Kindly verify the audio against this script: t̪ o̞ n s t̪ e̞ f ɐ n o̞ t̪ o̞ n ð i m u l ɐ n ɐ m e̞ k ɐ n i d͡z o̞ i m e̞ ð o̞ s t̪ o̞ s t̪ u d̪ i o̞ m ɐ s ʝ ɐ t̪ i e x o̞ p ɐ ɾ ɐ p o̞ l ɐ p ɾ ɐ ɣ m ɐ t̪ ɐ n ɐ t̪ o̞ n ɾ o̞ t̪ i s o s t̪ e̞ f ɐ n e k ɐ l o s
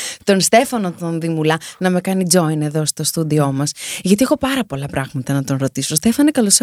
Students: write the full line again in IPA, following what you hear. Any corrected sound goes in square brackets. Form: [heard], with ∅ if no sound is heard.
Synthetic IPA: t̪ o̞ n s t̪ e̞ f ɐ n o̞ t̪ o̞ n ð i m u l ɐ n ɐ m e̞ k ɐ n i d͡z o̞ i [n] e̞ ð o̞ s t̪ o̞ s t̪ u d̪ i o̞ m ɐ s ʝ ɐ t̪ i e x o̞ p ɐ ɾ ɐ p o̞ l ɐ p ɾ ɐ ɣ m ɐ t̪ ɐ n ɐ t̪ o̞ n ɾ o̞ t̪ i s o s t̪ e̞ f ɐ n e k ɐ l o s